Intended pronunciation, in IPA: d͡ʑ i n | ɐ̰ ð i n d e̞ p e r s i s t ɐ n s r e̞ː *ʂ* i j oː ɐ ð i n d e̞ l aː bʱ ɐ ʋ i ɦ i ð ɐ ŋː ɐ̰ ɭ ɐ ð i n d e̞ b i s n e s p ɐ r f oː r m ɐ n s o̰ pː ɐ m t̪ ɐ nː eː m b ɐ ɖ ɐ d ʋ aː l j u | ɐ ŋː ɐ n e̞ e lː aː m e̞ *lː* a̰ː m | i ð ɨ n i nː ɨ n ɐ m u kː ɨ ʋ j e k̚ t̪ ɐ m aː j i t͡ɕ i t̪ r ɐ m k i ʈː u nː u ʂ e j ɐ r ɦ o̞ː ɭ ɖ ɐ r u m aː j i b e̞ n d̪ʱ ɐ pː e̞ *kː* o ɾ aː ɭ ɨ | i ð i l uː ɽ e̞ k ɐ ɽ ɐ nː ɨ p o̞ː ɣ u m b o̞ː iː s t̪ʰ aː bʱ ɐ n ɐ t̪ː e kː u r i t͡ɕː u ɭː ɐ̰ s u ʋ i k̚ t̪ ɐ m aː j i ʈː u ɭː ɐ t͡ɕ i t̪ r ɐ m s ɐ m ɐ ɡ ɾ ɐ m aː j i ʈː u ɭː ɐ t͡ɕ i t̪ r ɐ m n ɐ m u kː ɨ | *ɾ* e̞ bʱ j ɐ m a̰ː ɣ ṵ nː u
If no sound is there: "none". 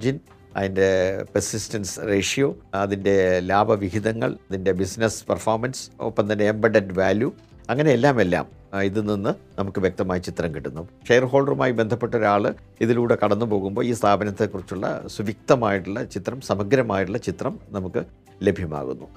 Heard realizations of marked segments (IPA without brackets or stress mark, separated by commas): ʂ, lː, ʈː, l